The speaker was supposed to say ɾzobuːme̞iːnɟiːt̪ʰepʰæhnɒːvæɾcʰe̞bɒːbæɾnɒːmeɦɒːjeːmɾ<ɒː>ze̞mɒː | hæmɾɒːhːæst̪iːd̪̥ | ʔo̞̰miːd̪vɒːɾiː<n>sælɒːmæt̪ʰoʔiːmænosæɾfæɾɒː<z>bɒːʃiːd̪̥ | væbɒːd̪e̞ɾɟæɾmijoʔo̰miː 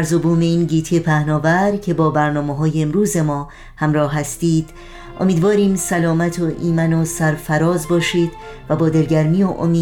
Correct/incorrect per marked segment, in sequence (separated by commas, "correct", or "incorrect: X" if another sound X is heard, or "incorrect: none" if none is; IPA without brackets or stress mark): incorrect: uː, incorrect: m, correct